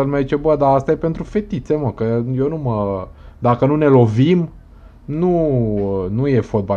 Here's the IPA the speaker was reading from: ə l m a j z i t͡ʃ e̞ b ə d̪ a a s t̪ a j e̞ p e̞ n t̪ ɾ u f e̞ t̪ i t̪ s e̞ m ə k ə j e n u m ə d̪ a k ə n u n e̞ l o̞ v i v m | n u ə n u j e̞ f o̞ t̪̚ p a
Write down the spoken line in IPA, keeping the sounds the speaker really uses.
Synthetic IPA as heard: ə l m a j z i t͡ʃ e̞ b ə d̪ a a s t̪ a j e̞ p e̞ n t̪ ɾ u f e̞ t̪ i t̪ s e̞ m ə k ə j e n u m ə d̪ a k ə n u n e̞ l o̞ v i m | n u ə n u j e̞ f o̞ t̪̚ b a